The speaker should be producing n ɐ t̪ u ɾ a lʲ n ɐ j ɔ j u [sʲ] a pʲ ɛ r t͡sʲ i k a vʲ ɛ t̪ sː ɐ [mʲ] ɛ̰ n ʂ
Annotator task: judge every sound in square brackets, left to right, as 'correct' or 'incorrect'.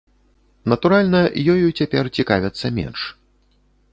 incorrect, correct

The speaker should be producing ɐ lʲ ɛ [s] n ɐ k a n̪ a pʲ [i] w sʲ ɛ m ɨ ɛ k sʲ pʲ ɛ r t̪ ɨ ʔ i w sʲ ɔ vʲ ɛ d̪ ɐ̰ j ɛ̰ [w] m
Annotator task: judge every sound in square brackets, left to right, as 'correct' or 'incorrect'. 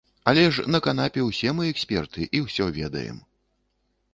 incorrect, incorrect, incorrect

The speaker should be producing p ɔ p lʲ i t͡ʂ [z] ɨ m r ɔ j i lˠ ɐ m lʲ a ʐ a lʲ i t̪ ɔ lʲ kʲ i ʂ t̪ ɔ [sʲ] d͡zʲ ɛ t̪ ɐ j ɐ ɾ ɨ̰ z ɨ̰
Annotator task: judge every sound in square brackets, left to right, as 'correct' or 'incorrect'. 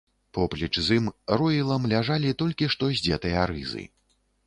correct, incorrect

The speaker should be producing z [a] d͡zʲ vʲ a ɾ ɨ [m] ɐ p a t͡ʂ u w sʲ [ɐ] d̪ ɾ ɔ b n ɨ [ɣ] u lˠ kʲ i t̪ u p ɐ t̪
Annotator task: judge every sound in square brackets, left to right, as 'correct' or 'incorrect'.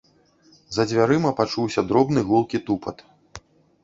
incorrect, correct, correct, correct

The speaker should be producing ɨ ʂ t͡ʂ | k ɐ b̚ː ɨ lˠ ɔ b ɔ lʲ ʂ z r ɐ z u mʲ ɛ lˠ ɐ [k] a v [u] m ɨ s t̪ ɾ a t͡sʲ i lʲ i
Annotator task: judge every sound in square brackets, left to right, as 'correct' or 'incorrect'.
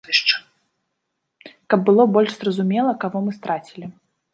correct, incorrect

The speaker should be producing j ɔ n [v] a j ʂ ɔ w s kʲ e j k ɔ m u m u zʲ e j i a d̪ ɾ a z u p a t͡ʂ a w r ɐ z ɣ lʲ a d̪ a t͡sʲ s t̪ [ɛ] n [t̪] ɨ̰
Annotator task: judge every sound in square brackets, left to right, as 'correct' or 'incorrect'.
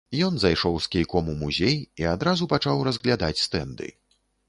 incorrect, correct, incorrect

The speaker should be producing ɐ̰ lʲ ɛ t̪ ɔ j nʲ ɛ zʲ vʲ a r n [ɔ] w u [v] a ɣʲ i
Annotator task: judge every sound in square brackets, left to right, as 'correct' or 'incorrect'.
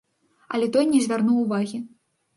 incorrect, correct

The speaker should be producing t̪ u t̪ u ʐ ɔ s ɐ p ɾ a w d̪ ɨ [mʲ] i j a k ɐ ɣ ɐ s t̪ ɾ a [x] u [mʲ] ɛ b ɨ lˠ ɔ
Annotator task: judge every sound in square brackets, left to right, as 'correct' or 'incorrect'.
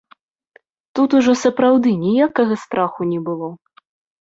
incorrect, correct, incorrect

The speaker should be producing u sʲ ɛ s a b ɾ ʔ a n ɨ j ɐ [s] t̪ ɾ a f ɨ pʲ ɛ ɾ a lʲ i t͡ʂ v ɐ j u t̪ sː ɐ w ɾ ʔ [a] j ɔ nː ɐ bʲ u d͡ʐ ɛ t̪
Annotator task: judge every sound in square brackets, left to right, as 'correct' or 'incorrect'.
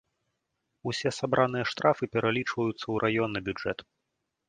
incorrect, correct

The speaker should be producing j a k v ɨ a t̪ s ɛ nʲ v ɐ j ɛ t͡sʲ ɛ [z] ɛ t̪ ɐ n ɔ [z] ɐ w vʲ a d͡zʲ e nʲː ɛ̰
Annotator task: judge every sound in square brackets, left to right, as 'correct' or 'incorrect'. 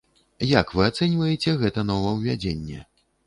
incorrect, incorrect

